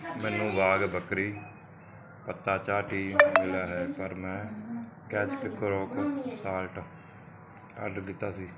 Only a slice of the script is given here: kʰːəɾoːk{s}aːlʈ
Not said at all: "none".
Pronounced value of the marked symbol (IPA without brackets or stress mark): s